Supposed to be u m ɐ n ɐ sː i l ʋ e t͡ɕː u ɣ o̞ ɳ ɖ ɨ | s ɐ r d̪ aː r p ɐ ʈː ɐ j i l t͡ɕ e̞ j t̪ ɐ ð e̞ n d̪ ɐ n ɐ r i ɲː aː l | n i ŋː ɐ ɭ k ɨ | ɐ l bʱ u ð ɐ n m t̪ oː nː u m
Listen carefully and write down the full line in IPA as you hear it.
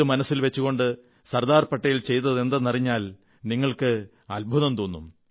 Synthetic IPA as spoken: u m ɐ n ɐ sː i l ʋ e t͡ɕː u ɣ o̞ ɳ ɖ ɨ | s ɐ r d̪ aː r p ɐ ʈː ɐ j i l t͡ɕ e̞ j t̪ ɐ ð e̞ n d̪ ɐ n ɐ r i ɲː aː l | n i ŋː ɐ ɭ k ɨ | ɐ l bʱ u ð ɐ m t̪ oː nː u m